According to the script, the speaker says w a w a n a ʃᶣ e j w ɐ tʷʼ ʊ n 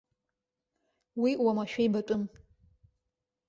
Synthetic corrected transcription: w i w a m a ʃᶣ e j b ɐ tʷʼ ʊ m

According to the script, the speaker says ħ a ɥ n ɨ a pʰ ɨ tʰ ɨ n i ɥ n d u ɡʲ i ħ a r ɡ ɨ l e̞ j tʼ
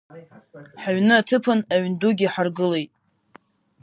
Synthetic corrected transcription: ħ a ɥ n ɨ a tʰ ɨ pʰ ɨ n a ɥ n d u ɡʲ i ħ a r ɡ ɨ l e̞ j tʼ

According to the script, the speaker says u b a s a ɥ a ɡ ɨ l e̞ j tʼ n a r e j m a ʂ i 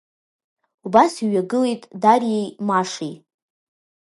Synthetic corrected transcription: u b a s i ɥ a ɡ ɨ l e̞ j tʼ d a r e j m a ʂ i

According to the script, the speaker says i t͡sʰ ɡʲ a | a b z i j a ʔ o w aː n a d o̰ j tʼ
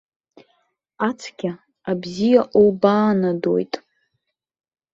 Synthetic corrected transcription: a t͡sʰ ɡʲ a | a b z i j a ʔ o b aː n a d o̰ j tʼ

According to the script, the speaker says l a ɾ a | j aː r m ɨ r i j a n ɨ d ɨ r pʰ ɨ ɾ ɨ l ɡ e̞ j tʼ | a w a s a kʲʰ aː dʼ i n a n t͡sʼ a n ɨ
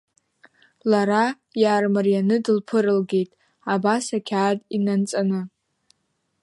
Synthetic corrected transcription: l a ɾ a | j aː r m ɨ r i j a n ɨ d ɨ l pʰ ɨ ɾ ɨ l ɡ e̞ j tʼ | a b a s a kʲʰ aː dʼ i n a n t͡sʼ a n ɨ

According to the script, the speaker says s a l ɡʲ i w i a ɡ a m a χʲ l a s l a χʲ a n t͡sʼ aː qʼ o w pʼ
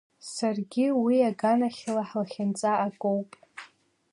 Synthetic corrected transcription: s a r ɡʲ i w i a ɡ a n a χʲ l a ħ l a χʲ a n t͡sʼ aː kʼ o w pʼ

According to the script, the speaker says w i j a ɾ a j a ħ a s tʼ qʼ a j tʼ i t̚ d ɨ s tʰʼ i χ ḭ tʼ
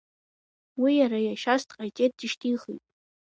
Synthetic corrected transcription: w i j a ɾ a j a ʃ a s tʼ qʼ a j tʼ e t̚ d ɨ ʃ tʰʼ i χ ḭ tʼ

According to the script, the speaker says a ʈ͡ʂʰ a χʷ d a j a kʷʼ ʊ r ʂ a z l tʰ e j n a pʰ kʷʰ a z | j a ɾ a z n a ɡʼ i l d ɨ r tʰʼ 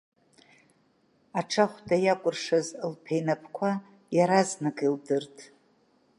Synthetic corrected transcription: a ʈ͡ʂʰ a χʷ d a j a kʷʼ ʊ r ʂ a z l pʰ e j n a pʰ kʷʰ a | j a ɾ a z n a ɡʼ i l d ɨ r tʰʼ

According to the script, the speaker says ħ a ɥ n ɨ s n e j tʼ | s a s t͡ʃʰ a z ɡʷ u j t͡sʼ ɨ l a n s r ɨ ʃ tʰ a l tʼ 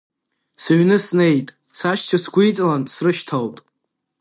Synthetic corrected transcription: s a ɥ n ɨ s n e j tʼ | s a ʃ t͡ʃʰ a s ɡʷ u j t͡sʼ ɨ l a n s r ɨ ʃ tʰ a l tʼ

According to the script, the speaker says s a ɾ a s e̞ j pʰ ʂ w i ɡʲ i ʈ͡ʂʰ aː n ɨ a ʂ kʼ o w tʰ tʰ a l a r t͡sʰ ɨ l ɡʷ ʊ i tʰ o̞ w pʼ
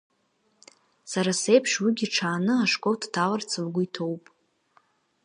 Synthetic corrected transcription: s a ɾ a s e̞ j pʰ ʂ w i ɡʲ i ʈ͡ʂʰ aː n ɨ a ʂ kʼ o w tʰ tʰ a l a r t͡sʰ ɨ l ɡʷ ʊ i tʰ o̞ w pʼ

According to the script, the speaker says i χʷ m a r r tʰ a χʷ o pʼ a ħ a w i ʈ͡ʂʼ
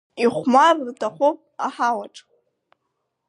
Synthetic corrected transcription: i χʷ m a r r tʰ a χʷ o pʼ a ħ a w a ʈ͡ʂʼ

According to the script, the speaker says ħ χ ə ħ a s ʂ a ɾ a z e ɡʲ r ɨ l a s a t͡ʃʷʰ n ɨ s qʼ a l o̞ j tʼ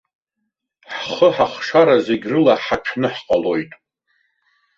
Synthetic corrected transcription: ħ χ ə ħ a χ ʂ a ɾ a z e ɡʲ r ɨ l a ħ a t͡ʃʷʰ n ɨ ħ qʼ a l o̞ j tʼ

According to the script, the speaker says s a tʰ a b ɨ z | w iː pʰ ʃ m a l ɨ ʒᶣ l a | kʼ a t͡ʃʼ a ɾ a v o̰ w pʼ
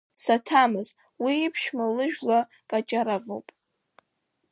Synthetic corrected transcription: s a tʰ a m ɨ z | w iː pʰ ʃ m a l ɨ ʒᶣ l a | kʼ a t͡ʃʼ a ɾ a v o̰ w pʼ

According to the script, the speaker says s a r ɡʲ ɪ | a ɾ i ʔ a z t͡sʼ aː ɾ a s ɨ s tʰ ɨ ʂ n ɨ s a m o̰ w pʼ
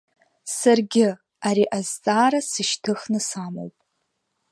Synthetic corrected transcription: s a r ɡʲ ɪ | a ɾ i ʔ a z t͡sʼ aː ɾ a s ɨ ʃ tʰ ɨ χ n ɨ s a m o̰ w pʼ

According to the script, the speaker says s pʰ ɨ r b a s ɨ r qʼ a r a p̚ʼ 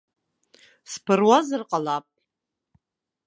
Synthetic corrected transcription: s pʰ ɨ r w a z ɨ r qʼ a l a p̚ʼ

